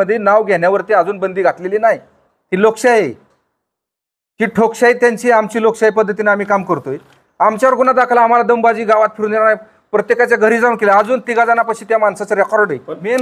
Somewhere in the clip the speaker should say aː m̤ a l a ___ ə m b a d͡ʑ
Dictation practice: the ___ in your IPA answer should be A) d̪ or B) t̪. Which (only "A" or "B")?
A